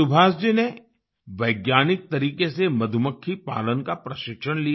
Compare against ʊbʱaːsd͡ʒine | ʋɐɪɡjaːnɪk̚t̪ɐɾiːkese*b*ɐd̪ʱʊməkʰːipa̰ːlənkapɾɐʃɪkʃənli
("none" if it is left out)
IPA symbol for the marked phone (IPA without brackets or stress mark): m